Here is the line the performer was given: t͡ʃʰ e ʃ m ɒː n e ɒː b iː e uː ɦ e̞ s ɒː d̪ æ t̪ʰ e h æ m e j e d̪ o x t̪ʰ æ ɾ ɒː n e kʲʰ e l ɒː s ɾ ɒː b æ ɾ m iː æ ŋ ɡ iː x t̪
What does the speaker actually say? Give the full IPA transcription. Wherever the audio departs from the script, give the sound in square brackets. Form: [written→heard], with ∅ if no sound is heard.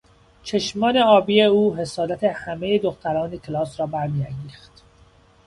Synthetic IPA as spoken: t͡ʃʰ e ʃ m ɒː n e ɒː b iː e uː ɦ e̞ s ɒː d̪ æ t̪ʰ e h æ m e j e d̪ o x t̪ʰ æ ɾ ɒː n e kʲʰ e l ɒː s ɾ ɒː b æ ɾ m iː æ ŋ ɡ iː x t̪